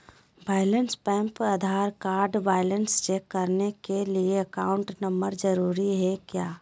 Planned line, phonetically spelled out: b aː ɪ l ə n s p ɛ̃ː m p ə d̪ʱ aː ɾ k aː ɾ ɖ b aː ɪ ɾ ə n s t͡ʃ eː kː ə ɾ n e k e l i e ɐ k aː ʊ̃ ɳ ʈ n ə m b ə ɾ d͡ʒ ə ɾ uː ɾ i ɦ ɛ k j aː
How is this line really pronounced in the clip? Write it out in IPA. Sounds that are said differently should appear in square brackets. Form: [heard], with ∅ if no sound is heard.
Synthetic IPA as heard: b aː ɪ l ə n s p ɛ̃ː m p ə d̪ʱ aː ɾ k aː ɾ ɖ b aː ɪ [l] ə n s t͡ʃ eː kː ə ɾ n e k e l i e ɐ k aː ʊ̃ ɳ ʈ n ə m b ə ɾ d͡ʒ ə ɾ uː ɾ i ɦ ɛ k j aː